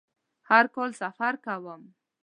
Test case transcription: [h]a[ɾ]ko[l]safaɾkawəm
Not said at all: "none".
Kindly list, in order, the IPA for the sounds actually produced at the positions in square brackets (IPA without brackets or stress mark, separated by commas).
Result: h, ɾ, l